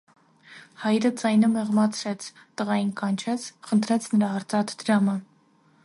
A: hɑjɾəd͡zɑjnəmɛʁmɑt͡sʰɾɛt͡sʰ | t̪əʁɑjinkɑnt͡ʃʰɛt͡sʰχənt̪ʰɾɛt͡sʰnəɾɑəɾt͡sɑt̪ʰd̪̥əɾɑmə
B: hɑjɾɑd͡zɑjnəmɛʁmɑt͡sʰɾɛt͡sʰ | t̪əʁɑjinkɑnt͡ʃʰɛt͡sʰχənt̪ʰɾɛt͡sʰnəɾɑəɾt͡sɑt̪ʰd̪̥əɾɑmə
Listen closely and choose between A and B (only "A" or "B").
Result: A